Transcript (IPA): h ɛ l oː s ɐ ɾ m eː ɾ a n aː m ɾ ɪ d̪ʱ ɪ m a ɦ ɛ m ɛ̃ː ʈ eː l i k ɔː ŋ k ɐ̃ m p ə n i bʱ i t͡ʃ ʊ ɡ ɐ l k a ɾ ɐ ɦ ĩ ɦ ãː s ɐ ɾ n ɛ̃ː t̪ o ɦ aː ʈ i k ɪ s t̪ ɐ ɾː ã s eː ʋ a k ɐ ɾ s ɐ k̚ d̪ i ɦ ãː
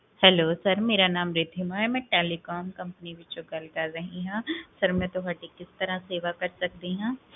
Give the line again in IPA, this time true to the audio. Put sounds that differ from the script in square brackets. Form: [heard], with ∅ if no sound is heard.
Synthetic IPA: h ɛ l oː s ɐ ɾ m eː ɾ a n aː m ɾ ɪ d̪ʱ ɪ m a ɦ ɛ m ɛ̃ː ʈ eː l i k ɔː [m] k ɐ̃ m p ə n i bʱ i t͡ʃ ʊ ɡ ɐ l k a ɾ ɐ ɦ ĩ ɦ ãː s ɐ ɾ [m] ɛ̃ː t̪ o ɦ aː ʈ i k ɪ s t̪ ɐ [ɾ] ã s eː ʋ a k ɐ ɾ s ɐ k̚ d̪ i ɦ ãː